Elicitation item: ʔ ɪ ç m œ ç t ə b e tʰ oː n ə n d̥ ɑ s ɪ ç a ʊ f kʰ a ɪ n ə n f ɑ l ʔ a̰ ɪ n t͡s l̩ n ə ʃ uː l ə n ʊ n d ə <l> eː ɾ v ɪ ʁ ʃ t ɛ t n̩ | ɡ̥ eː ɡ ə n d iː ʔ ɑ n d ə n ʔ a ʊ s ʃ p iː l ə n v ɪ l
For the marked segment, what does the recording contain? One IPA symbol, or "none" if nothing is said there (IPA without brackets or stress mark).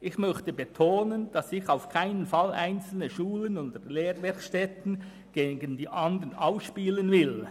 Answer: l